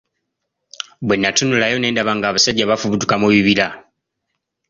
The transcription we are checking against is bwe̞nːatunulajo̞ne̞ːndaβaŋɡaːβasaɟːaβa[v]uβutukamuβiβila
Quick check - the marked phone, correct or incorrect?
incorrect